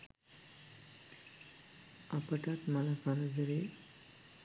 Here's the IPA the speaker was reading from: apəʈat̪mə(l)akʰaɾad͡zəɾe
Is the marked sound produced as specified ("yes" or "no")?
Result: yes